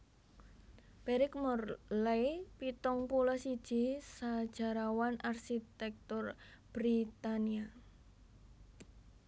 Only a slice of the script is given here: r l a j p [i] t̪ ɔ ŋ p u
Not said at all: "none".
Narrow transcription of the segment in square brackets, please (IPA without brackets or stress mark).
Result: i